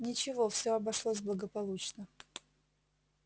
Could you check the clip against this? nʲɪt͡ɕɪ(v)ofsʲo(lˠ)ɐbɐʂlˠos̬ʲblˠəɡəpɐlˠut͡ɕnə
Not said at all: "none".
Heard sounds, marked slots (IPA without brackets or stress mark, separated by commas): v, none